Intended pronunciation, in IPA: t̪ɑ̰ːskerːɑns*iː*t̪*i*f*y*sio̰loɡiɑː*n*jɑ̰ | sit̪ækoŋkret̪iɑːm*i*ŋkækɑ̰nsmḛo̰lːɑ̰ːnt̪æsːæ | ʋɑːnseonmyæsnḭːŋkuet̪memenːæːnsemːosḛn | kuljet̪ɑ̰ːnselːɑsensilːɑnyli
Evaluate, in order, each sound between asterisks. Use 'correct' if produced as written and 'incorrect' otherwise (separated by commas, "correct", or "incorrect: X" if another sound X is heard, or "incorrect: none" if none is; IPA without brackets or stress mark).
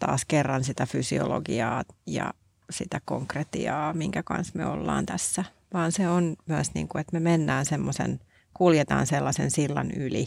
incorrect: i, incorrect: æ, correct, incorrect: none, correct